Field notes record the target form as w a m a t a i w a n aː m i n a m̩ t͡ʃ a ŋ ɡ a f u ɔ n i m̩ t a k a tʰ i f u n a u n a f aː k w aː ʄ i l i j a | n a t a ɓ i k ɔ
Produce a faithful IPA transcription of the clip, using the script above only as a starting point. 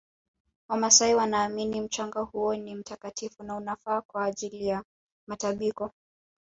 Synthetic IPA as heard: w a m a s a i w a n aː m i n i m̩ t͡ʃ a ŋ ɡ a h u ɔ n i m̩ t a k a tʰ i f u n a u n a f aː k w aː ʄ i l i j a | m a t a ɓ i k ɔ